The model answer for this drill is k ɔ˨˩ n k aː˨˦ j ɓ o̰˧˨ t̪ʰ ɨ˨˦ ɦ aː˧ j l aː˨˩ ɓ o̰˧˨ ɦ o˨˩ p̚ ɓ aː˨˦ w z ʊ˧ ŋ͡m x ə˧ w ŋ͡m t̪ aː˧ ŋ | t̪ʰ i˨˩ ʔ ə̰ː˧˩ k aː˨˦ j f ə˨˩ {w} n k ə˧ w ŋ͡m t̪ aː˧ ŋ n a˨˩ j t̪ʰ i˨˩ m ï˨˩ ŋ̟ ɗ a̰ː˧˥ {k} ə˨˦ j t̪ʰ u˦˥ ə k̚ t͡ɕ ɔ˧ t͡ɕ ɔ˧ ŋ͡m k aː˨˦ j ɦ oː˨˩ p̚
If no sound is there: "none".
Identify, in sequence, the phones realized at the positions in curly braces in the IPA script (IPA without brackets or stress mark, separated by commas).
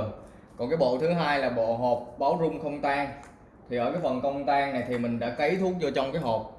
none, k